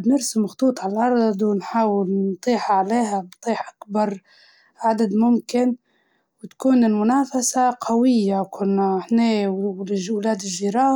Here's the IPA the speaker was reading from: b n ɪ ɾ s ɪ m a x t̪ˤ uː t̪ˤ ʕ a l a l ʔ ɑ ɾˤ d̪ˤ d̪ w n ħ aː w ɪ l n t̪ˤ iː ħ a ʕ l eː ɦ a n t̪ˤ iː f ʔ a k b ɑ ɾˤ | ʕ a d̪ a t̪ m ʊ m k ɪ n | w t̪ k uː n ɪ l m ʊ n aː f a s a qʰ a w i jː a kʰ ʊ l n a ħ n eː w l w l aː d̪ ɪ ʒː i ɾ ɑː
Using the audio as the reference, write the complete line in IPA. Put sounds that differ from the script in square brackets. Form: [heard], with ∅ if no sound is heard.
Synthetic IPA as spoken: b n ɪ ɾ s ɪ m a x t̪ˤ uː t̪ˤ ʕ a l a l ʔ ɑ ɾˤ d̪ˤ d̪ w n ħ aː w ɪ l n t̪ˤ iː ħ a ʕ l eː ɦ a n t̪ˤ iː [ħ] ʔ a k b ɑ ɾˤ | ʕ a d̪ a [d̪] m ʊ m k ɪ n | w t̪ k uː n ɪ l m ʊ n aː f a s a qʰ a w [ɪ] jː a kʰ ʊ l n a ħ n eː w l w l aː d̪ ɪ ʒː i ɾ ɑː